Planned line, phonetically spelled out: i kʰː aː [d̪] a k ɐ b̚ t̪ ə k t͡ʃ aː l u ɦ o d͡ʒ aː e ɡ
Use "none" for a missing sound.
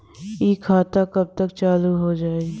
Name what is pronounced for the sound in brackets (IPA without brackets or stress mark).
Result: t̪